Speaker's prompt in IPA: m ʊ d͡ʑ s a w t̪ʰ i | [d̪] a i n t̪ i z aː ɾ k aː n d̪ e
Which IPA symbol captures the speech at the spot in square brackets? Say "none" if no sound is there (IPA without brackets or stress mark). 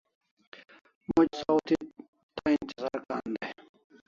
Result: t̪